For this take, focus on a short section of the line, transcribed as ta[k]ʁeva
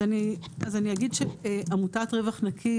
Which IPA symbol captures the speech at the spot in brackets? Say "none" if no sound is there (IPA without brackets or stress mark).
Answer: t